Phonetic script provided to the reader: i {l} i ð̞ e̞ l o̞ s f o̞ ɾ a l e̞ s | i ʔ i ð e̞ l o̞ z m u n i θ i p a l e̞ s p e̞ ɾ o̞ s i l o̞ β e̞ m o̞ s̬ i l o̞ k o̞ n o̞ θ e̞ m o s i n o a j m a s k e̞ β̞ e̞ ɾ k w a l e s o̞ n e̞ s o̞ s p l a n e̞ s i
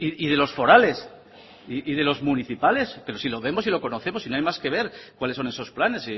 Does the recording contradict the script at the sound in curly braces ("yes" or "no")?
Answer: yes